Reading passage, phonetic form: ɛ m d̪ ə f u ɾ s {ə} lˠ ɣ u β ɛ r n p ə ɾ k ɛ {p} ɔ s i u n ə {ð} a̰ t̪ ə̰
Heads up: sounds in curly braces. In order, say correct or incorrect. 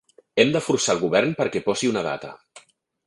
incorrect: a, correct, correct

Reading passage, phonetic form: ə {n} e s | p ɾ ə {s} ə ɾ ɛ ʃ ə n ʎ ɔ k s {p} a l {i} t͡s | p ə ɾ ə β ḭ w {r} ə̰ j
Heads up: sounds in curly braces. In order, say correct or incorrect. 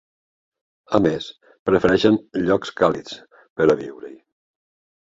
incorrect: m, incorrect: f, incorrect: k, correct, incorrect: ɾ

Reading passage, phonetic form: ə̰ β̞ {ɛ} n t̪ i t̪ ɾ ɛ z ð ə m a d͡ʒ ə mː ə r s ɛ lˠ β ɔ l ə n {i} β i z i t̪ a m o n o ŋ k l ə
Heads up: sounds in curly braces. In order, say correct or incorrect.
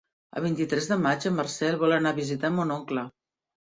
incorrect: i, incorrect: a

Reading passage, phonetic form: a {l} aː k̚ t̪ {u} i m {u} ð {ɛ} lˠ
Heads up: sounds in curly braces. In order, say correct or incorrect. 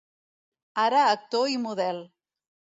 incorrect: ɾ, incorrect: o, correct, correct

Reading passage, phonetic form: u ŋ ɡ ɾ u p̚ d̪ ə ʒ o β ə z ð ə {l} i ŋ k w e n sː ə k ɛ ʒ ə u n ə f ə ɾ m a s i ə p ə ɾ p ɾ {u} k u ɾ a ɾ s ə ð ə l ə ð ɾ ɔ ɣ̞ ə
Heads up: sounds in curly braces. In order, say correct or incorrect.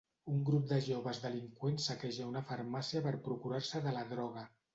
correct, correct

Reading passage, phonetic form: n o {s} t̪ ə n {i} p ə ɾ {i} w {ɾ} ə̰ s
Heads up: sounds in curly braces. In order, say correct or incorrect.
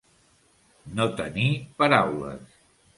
incorrect: none, correct, incorrect: a, incorrect: l

